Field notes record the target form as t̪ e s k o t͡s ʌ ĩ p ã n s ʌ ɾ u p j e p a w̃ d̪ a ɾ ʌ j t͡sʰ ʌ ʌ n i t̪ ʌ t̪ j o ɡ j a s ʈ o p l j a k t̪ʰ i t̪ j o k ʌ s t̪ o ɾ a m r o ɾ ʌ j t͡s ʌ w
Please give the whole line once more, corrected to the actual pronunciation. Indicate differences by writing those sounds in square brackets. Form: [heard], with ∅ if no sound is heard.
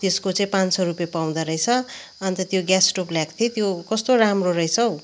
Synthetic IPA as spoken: t̪ e s k o t͡s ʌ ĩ p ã n s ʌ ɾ u p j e p a w̃ d̪ a ɾ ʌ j t͡sʰ ʌ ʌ n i t̪ ʌ t̪ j o ɡ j a s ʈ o p l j a k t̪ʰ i t̪ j o k ʌ s t̪ o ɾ a m r o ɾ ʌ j [t͡sʰ] ʌ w